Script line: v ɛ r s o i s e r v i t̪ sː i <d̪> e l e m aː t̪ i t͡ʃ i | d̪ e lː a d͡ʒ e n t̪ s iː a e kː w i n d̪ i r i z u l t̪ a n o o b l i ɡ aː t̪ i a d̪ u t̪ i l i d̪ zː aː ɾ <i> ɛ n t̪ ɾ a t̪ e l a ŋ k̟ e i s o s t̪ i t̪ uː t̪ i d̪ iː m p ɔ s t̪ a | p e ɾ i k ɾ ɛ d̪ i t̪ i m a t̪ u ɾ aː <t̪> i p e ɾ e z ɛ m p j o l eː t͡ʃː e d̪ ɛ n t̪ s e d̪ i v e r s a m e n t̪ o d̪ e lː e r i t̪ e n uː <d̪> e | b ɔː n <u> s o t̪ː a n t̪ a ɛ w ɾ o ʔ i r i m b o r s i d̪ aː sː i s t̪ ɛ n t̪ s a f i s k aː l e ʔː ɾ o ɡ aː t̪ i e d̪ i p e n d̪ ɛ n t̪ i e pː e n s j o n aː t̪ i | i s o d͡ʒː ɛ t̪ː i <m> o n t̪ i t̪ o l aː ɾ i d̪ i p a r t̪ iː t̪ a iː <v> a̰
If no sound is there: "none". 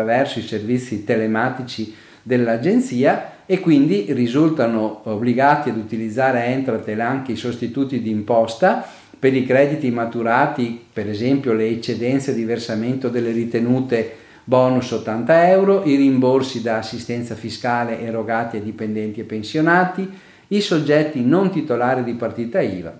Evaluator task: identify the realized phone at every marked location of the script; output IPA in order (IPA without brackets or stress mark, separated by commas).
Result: t̪, e, t̪, t̪, u, n, v